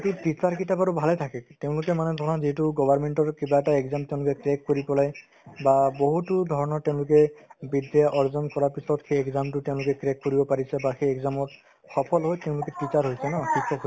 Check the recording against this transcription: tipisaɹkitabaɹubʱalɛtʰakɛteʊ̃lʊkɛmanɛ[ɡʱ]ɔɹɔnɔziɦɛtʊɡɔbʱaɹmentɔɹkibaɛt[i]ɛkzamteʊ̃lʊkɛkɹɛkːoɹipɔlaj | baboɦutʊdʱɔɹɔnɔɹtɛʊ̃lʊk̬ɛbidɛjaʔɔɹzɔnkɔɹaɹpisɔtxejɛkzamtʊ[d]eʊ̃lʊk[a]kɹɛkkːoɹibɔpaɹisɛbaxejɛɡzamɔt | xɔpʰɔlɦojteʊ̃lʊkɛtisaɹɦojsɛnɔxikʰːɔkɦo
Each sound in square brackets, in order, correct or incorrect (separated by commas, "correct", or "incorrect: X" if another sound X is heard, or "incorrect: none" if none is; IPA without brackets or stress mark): incorrect: dʱ, incorrect: a, incorrect: t, incorrect: ɛ